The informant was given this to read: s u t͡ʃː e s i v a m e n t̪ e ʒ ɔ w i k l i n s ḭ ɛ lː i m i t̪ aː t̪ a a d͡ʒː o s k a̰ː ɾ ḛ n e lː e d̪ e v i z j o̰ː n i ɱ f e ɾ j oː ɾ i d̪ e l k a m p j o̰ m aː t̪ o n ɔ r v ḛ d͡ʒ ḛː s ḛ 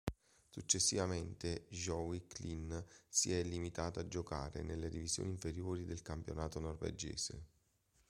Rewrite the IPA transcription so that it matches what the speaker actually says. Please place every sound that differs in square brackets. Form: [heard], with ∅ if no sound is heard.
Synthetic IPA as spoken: s u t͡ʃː e [sː] i v a m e n t̪ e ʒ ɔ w i k l i n s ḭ ɛ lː i m i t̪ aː t̪ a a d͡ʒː o [∅] k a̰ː ɾ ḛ n e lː e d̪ [i] v i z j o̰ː n i ɱ f e ɾ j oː ɾ i d̪ e l k a m p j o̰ [n] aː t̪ o n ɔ r v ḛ d͡ʒ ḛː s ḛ